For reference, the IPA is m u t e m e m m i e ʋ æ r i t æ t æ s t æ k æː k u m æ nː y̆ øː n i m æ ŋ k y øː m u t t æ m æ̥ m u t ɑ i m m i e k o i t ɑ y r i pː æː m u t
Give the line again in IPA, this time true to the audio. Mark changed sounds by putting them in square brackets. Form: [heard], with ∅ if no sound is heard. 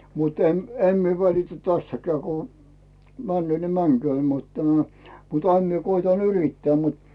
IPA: m u t e m e m m i e ʋ æ [l] i t æ t æ s t æ k æː k u m æ nː y̆ øː n i m æ ŋ k y øː m u t t æ m æ̥ m u t ɑ i m m i e k o i t ɑ y r i [tː] æː m u t